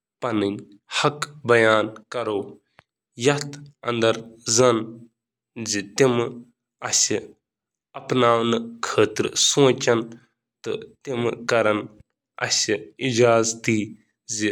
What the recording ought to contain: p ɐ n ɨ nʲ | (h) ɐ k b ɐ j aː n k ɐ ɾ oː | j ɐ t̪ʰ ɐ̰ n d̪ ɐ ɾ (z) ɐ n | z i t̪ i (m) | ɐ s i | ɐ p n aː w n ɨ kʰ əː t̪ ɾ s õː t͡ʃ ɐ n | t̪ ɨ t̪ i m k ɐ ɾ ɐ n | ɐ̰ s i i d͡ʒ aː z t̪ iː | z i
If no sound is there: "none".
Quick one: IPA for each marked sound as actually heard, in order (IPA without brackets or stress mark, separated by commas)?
h, z, m